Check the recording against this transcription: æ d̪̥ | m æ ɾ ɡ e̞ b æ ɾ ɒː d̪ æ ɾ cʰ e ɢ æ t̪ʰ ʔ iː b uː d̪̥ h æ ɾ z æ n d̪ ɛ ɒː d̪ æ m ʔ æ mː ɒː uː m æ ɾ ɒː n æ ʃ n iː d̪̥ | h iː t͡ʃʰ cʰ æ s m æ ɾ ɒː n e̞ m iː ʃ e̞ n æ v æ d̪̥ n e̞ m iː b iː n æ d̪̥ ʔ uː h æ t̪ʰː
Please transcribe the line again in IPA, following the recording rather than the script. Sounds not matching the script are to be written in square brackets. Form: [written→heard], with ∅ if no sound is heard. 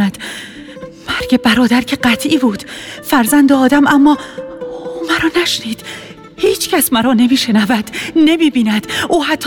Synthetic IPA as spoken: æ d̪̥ | m æ ɾ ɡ e̞ b æ ɾ ɒː d̪ æ ɾ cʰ e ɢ æ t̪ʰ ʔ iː b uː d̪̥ [h→f] æ ɾ z æ n d̪ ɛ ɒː d̪ æ m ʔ æ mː ɒː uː m æ ɾ ɒː n æ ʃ n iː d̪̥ | h iː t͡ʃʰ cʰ æ s m æ ɾ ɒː n e̞ m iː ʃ e̞ n æ v æ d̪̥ n e̞ m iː b iː n æ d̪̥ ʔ uː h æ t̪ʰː